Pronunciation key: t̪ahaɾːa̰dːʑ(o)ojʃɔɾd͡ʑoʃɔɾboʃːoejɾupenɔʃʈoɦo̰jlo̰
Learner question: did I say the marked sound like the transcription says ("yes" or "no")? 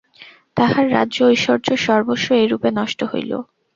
yes